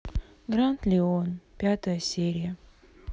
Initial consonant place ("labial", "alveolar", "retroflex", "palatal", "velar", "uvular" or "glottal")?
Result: velar